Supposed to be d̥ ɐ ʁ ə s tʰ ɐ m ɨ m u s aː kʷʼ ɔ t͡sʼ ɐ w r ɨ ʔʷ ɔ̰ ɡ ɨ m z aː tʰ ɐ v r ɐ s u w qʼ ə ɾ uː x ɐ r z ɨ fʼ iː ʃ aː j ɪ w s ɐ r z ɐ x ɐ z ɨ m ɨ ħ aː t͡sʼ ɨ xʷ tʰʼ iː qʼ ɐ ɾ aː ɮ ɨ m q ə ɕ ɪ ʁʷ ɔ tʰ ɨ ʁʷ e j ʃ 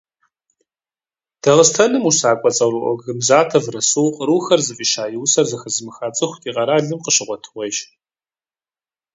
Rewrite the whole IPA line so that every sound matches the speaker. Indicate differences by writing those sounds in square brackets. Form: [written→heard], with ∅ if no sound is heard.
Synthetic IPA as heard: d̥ ɐ ʁ ə s tʰ ɐ [m→n] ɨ m u s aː kʷʼ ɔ t͡sʼ ɐ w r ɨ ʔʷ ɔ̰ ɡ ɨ m z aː tʰ ɐ v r ɐ s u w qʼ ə ɾ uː x ɐ r z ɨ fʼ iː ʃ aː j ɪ w s ɐ r z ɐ x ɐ z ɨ m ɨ [ħ→x] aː t͡sʼ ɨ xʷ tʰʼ iː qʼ ɐ ɾ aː ɮ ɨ m q ə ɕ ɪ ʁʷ ɔ tʰ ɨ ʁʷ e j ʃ